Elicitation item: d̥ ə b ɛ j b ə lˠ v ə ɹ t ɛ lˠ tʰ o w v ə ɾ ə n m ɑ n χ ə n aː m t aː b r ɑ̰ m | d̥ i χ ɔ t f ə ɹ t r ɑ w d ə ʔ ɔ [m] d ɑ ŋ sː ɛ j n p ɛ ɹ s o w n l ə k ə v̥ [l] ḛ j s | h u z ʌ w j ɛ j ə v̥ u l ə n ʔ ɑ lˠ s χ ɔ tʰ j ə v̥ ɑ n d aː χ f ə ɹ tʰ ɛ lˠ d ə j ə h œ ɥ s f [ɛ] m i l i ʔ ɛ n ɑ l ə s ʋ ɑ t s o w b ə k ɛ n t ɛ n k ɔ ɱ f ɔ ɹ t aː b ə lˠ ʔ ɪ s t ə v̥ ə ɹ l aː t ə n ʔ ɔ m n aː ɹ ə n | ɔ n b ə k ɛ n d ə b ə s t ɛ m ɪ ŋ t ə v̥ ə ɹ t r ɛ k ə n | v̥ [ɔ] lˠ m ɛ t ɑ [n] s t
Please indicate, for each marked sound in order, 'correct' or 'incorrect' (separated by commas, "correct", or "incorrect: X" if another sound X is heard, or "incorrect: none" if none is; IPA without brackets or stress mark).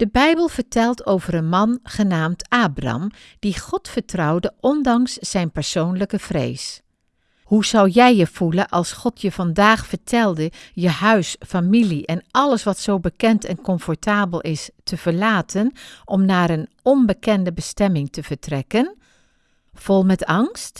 incorrect: n, incorrect: r, incorrect: a, correct, incorrect: ŋ